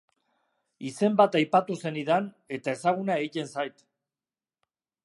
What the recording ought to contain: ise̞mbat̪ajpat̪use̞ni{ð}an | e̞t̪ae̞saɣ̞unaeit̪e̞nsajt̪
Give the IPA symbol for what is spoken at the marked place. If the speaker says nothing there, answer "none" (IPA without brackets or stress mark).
ð